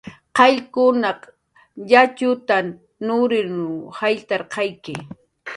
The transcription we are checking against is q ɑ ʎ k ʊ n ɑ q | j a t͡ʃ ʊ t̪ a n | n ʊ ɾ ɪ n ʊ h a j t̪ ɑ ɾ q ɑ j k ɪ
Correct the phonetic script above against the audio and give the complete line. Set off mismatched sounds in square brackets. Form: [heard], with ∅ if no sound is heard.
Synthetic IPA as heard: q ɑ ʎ k ʊ n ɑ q | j a t͡ʃ ʊ t̪ a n | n ʊ ɾ ɪ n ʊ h a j t̪ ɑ ɾ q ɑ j k ɪ